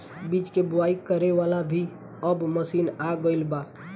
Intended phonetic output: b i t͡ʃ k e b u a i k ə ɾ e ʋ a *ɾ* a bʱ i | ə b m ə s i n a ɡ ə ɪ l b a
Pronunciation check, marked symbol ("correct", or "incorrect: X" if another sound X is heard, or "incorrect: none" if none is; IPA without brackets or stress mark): incorrect: l